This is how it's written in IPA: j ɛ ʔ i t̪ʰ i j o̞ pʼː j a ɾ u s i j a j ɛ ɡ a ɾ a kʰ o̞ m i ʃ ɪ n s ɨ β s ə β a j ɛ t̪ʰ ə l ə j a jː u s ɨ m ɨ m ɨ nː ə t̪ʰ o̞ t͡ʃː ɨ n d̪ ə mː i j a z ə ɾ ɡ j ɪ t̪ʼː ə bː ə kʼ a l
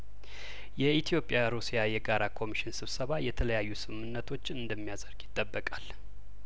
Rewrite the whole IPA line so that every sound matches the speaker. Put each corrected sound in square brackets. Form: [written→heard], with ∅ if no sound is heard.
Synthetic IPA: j ɛ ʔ i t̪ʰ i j o̞ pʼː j a ɾ u s i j a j ɛ ɡ a ɾ a kʰ o̞ m i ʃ ɪ n s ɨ β s ə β a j ɛ t̪ʰ ə l ə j a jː u s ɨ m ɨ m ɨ nː ə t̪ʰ o̞ t͡ʃː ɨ n d̪ ə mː i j a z ə ɾ ɡ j ɪ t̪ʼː ə bː ə kʼ a l